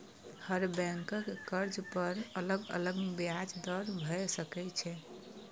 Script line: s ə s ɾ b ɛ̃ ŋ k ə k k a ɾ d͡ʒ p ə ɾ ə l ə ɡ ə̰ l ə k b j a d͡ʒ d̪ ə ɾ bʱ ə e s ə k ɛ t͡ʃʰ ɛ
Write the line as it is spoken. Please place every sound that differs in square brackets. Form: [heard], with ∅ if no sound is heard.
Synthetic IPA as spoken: [h] ə [∅] ɾ b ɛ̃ ŋ k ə k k [ə] ɾ d͡ʒ p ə ɾ ə l ə ɡ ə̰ l ə [ɡ] b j a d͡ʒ d̪ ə ɾ bʱ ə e s ə k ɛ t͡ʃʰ ɛ